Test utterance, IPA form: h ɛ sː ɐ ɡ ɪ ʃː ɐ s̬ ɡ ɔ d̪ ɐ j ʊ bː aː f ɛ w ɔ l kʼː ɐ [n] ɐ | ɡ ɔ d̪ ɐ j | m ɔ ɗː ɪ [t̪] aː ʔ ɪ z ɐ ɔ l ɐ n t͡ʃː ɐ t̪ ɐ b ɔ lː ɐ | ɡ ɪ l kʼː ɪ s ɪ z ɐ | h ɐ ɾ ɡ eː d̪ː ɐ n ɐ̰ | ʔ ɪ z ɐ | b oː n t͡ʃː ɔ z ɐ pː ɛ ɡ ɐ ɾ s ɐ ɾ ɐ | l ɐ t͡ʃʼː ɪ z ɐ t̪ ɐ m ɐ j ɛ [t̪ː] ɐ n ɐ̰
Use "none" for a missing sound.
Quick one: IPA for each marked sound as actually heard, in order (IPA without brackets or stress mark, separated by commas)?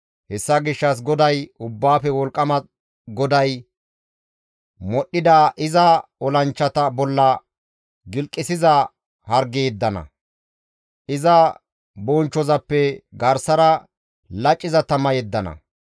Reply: m, d̪, d̪ː